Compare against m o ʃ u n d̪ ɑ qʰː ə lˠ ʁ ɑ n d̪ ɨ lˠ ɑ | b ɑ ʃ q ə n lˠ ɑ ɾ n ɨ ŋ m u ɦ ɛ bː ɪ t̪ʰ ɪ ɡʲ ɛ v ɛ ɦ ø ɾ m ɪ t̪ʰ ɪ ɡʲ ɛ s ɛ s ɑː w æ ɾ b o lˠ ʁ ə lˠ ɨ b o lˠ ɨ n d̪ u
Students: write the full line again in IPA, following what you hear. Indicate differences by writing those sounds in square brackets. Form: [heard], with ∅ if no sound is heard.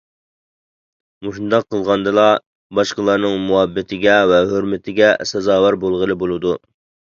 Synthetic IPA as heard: m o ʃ u n d̪ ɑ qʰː ə lˠ ʁ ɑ n d̪ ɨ lˠ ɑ | b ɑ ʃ q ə [∅] lˠ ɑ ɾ n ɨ ŋ m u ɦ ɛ bː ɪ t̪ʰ ɪ ɡʲ ɛ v ɛ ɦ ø ɾ m ɪ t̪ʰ ɪ ɡʲ ɛ s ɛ [z] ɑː w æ ɾ b o lˠ ʁ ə lˠ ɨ b o lˠ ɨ [∅] d̪ u